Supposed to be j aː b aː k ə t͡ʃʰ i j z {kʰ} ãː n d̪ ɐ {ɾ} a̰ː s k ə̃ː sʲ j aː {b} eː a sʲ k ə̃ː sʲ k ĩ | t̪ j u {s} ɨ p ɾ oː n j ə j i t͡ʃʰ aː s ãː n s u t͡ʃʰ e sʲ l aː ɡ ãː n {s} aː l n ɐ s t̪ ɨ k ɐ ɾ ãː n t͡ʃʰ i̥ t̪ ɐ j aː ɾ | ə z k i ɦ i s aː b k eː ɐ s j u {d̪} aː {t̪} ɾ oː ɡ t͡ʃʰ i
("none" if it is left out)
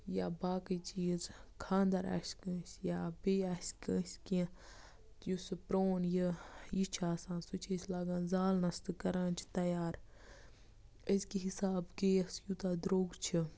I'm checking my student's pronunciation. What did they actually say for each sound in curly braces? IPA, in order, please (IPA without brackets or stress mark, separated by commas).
kʰ, ɾ, b, s, z, t̪, d̪